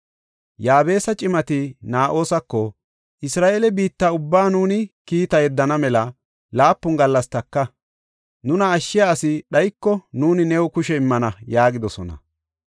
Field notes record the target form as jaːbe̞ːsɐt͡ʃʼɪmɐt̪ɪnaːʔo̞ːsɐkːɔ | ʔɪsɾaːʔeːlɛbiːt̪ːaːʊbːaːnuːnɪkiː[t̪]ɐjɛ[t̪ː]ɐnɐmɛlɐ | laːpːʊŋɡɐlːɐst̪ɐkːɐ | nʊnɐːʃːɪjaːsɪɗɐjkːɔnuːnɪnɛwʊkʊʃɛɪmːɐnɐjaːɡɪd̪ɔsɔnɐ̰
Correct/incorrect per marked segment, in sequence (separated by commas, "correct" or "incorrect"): correct, incorrect